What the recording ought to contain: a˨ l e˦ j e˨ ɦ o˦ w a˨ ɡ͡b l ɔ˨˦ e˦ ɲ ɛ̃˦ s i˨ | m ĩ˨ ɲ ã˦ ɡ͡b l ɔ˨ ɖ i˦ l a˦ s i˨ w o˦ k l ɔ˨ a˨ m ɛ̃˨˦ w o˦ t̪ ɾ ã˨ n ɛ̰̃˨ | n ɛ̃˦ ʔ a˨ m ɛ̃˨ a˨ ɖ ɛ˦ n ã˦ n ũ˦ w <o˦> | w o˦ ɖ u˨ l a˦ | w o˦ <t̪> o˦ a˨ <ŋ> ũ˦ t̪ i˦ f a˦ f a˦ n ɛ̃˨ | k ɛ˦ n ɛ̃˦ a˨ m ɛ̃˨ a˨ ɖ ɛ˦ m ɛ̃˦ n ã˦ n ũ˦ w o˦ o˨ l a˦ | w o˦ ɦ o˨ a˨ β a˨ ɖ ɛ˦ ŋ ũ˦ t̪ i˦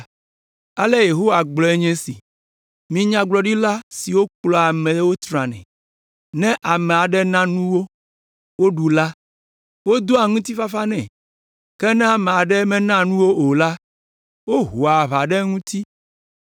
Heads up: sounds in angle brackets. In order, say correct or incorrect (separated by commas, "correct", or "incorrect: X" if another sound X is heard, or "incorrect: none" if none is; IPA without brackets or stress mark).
correct, incorrect: d̪, correct